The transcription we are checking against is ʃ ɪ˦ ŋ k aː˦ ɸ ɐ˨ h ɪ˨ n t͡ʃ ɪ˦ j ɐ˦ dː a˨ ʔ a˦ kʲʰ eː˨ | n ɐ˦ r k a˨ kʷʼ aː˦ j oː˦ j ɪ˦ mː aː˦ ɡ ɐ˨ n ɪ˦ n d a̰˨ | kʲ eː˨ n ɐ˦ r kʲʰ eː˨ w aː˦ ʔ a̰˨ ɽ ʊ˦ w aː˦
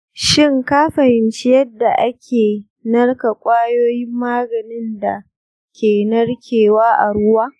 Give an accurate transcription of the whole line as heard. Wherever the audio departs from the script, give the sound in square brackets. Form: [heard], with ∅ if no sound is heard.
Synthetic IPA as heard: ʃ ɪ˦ ŋ k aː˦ ɸ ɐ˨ h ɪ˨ n t͡ʃ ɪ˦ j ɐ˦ dː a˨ ʔ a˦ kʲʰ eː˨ | n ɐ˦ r k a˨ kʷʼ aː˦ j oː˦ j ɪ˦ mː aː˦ ɡ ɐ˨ n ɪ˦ n d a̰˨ | kʲ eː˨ n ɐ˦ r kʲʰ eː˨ w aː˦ ʔ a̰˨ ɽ ʊ˦ w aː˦